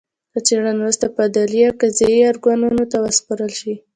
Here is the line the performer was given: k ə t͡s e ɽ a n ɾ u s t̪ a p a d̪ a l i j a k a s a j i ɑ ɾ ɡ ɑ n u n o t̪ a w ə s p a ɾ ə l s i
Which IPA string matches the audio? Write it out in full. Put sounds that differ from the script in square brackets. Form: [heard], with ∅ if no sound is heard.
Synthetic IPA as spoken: k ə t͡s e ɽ a n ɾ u s t̪ a p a d̪ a l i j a k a [z] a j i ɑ ɾ ɡ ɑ n u n o t̪ a w ə s p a ɾ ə l [ʃ] i